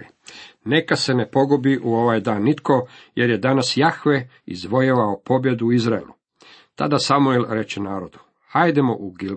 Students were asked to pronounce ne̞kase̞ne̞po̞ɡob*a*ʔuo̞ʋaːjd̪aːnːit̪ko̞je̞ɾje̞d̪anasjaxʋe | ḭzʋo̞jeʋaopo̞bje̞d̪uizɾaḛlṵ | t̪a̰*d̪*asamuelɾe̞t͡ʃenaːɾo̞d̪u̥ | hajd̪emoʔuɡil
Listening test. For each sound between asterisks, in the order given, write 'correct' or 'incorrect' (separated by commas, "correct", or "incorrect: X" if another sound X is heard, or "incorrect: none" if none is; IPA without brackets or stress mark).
incorrect: i, correct